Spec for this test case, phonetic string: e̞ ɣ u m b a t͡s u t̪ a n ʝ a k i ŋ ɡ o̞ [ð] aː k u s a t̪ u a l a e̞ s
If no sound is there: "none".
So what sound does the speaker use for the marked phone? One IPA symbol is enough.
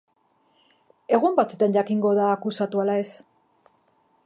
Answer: ð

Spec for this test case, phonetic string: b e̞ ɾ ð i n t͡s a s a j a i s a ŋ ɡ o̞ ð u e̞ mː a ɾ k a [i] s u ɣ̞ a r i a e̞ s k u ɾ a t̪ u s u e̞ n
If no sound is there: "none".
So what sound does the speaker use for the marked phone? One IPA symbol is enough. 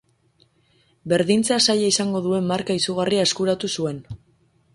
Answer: i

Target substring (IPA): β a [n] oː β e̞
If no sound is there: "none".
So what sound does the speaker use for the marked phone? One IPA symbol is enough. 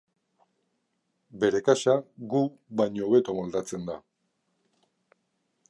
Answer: ɲ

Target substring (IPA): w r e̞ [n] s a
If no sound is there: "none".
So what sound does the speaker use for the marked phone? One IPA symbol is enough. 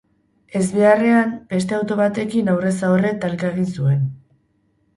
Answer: none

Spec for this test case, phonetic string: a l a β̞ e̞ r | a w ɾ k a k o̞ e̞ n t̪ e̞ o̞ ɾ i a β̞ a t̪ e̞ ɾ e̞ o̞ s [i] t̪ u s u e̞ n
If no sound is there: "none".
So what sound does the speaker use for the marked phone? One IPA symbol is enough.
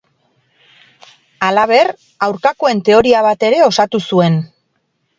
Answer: a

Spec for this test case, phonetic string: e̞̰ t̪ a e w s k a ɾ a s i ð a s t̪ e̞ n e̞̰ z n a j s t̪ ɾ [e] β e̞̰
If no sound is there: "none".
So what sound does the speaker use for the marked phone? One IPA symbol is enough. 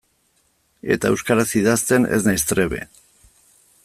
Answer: e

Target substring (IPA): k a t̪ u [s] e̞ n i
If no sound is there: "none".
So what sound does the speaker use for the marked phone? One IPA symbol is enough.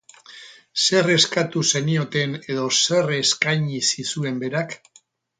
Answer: s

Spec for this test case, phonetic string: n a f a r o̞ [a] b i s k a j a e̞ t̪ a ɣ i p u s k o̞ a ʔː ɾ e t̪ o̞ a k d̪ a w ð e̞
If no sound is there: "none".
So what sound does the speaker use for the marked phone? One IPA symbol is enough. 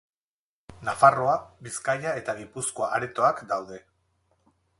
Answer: a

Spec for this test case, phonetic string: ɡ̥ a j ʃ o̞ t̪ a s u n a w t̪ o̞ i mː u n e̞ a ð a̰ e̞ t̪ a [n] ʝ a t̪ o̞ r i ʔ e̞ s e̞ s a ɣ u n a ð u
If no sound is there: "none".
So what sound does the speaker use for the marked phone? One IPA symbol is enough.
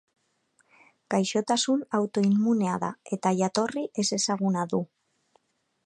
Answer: none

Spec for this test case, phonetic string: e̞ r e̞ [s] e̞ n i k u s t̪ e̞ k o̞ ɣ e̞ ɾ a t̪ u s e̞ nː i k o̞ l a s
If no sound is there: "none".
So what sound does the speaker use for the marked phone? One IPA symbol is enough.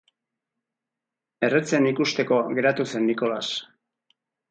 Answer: t͡s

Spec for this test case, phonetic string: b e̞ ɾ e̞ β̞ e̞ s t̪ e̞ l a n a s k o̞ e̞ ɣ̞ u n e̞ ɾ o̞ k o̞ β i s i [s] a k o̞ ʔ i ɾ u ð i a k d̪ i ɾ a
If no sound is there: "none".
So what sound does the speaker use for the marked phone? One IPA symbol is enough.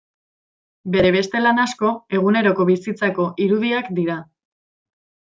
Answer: t͡s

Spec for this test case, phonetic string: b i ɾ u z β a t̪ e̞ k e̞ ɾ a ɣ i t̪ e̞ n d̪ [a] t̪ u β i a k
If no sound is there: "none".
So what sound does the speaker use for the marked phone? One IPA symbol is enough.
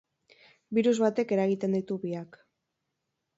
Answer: i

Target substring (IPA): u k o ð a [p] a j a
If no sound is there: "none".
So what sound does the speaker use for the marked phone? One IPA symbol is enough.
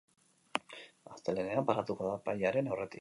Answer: p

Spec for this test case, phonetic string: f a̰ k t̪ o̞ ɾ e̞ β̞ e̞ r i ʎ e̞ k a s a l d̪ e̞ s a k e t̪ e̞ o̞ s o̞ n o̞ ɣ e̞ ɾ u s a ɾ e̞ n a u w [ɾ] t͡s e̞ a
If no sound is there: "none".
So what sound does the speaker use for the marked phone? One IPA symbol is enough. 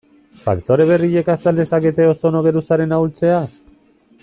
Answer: l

